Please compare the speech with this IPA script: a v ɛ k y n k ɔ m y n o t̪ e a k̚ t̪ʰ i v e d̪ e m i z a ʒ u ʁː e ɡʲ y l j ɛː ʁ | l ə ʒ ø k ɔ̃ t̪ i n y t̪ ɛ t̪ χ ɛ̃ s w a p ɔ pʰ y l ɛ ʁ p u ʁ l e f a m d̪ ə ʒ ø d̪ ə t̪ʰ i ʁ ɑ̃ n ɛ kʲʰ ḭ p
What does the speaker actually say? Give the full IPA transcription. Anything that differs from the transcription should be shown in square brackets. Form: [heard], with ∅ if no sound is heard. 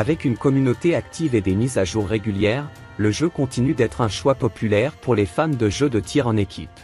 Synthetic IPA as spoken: a v ɛ k y n k ɔ m y n o t̪ e a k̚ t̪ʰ i v e d̪ e m i z a ʒ u ʁː e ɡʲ y l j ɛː ʁ | l ə ʒ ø k ɔ̃ t̪ i n y [d̪] ɛ t̪ χ ɛ̃ [ʃ] w a p ɔ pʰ y l ɛ ʁ p u ʁ l e f a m d̪ ə ʒ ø d̪ ə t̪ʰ i ʁ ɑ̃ n [e] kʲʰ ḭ p

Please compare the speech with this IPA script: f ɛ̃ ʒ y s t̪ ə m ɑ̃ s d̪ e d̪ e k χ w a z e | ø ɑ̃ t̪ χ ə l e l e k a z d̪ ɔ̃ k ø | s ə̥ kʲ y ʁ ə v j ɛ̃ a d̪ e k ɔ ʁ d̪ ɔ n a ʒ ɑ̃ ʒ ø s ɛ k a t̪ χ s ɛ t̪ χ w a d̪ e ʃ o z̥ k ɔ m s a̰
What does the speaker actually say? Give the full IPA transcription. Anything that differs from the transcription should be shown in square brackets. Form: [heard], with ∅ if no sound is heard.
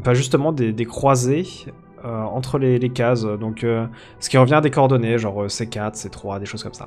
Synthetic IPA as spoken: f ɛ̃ ʒ y s t̪ ə m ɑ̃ [∅] d̪ e d̪ e k χ w a z e | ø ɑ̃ t̪ χ ə l e l e k a z d̪ ɔ̃ k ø | s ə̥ kʲ [i] ʁ ə v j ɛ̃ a d̪ e k ɔ ʁ d̪ ɔ n [e] ʒ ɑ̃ [ʁ] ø s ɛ k a t̪ χ s ɛ t̪ χ w a d̪ e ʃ o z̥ k ɔ m s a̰

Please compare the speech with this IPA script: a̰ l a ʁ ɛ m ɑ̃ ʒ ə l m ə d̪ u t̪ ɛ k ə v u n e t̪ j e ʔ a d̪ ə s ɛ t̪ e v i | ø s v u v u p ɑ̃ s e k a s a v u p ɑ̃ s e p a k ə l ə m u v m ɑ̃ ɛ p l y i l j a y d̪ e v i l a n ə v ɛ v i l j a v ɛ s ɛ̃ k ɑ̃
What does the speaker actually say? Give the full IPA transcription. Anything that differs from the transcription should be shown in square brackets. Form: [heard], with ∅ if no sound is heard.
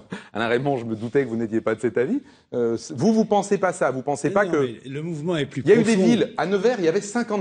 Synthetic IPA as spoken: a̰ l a ʁ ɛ m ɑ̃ ʒ ə [∅] m ə d̪ u t̪ ɛ k ə v u n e t̪ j e [p] a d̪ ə s ɛ t̪ [a] v i | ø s v u v u p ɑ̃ s e [p] a s a v u p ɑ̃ s e p a k ə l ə m u v m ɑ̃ ɛ p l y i l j a y d̪ e v i l a n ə v ɛ [ʁ] i l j a v ɛ s ɛ̃ k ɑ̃

